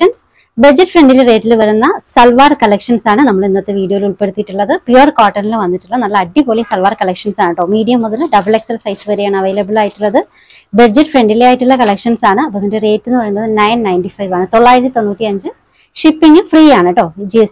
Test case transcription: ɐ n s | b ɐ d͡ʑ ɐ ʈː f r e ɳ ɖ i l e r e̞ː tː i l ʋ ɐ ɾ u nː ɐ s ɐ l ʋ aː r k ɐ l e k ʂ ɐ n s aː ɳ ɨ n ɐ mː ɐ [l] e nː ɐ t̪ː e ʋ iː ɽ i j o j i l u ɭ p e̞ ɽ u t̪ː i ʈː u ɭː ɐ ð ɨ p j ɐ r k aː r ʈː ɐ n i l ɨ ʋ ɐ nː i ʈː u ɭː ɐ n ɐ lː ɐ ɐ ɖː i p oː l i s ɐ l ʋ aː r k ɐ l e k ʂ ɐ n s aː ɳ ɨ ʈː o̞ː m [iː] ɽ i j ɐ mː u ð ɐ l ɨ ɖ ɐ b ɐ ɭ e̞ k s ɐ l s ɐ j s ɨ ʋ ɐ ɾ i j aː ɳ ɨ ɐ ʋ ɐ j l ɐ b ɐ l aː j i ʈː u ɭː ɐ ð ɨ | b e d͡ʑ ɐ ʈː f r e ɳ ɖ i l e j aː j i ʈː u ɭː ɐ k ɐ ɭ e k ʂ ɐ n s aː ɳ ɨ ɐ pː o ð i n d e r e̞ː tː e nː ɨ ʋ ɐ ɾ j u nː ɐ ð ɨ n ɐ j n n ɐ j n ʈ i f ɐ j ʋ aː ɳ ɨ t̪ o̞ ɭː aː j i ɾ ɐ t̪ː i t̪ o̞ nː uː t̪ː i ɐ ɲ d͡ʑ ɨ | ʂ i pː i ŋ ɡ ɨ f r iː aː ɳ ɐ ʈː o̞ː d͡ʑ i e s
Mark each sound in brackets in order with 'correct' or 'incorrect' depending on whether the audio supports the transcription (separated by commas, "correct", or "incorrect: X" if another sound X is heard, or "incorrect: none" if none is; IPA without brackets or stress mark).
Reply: incorrect: ɭ, correct